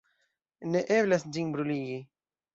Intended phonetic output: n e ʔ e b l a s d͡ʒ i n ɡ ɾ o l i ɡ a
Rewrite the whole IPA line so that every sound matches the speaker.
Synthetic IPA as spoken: n e ʔ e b l a s d͡ʒ i n b ɾ u l i ɡ i